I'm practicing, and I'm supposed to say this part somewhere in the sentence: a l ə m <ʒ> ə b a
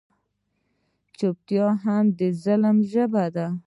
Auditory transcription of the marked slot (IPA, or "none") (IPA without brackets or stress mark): ʒ